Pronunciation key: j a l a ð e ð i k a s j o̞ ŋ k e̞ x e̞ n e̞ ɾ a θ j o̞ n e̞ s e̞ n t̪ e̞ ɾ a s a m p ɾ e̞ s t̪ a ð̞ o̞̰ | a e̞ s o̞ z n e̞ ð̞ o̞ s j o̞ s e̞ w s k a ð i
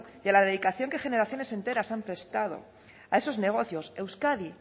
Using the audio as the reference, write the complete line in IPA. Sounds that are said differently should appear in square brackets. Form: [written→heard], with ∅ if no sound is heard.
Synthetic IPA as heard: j a l a ð e ð i k a [s→θ] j o̞ ŋ k e̞ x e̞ n e̞ ɾ a θ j o̞ n e̞ s e̞ n t̪ e̞ ɾ a s a m p ɾ e̞ s t̪ a ð̞ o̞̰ | a e̞ s o̞ z n e̞ [ð̞→ɣ̞] o̞ [s→θ] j o̞ s e̞ w s k a ð i